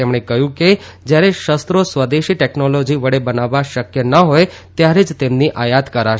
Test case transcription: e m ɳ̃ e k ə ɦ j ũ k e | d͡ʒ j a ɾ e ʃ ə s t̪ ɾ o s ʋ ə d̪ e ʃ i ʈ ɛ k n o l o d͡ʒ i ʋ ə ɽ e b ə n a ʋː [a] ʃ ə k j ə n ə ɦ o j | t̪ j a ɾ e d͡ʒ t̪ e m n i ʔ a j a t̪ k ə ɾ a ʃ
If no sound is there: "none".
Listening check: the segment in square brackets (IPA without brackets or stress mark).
a